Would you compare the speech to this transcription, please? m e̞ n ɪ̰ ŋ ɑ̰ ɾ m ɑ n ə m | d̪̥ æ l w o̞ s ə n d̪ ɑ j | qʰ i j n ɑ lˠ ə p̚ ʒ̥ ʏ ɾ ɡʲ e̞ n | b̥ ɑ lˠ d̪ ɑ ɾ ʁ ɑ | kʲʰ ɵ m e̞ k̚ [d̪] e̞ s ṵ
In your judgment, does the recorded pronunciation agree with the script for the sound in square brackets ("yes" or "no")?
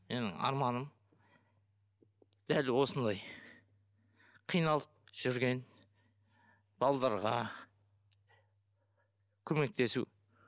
no